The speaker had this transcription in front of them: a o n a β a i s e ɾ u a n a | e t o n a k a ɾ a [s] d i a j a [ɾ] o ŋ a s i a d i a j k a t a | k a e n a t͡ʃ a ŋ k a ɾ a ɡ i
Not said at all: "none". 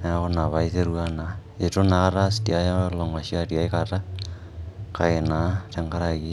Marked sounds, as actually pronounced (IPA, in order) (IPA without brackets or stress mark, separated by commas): s, l